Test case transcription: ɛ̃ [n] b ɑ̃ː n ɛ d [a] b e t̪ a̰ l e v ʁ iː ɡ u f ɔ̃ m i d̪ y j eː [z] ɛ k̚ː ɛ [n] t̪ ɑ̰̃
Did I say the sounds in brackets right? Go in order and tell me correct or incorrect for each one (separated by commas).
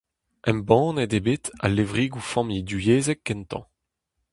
incorrect, incorrect, correct, correct